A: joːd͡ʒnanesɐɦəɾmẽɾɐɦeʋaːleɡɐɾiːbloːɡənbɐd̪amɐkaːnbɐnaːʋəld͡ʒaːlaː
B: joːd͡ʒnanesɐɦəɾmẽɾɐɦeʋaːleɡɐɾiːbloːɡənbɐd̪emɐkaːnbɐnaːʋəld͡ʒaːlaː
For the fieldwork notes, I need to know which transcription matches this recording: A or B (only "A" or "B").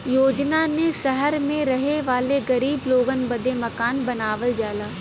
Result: B